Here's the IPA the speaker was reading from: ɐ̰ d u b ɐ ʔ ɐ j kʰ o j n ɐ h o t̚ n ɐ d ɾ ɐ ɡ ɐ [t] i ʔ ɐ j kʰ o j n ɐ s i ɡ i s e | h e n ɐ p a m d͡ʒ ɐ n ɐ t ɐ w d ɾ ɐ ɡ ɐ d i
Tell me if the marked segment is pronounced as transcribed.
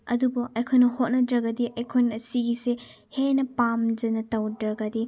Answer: no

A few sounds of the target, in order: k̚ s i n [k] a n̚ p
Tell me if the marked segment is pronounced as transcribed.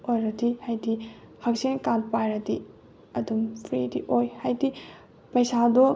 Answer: yes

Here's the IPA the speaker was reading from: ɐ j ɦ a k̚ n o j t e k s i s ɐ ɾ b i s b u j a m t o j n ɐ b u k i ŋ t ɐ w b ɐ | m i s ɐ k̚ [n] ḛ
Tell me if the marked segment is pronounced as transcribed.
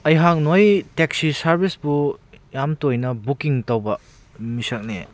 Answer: yes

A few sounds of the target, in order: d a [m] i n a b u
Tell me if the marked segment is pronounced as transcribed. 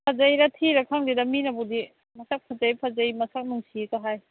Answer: yes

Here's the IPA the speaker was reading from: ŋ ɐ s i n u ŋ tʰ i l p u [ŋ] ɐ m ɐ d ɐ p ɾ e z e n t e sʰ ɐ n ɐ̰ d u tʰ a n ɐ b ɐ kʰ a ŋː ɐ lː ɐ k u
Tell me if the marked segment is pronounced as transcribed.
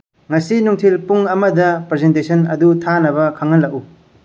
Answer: yes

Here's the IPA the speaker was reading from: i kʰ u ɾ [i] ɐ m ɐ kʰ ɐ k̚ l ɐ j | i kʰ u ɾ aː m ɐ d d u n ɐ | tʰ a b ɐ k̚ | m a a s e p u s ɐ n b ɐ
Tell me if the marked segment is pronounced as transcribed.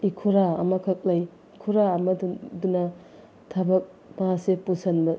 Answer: no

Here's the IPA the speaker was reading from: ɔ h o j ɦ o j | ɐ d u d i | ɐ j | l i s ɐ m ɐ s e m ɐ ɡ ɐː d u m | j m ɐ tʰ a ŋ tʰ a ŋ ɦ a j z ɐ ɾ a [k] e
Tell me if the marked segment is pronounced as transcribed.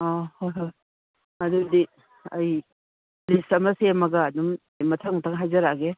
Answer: no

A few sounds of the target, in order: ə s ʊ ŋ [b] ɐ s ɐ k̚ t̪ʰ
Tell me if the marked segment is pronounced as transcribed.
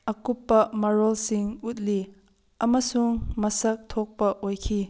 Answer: no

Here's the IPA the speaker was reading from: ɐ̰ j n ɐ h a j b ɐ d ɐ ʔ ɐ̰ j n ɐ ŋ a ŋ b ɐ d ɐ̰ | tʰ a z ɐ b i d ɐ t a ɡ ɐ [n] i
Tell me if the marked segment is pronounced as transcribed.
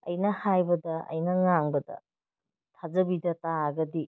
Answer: no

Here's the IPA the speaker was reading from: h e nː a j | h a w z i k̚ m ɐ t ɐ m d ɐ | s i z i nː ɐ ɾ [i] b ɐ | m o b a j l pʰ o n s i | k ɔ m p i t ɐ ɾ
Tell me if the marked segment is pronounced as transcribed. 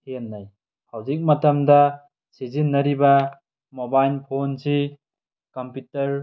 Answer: yes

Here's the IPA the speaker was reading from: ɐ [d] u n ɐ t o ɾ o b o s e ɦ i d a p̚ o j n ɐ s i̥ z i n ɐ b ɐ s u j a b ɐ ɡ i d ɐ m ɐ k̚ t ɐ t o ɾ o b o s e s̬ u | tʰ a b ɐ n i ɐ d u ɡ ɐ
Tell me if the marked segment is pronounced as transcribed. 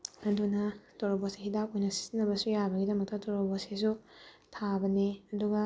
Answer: yes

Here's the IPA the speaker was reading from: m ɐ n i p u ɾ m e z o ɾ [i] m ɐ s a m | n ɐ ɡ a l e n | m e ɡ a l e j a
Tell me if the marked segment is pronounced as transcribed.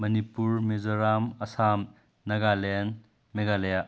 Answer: no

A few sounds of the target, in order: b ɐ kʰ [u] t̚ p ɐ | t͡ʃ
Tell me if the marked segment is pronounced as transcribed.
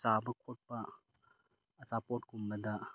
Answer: no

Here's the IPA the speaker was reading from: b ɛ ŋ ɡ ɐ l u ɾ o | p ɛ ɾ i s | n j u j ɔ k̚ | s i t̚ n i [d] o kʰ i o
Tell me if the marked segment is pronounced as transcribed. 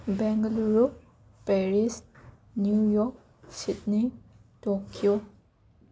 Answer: no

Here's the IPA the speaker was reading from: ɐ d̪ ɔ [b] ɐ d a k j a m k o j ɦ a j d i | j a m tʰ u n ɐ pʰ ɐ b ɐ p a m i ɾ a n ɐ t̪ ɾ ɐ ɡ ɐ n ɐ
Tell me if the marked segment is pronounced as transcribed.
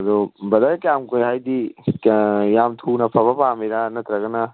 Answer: yes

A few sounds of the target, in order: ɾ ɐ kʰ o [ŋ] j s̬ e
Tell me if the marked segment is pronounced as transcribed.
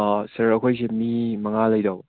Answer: no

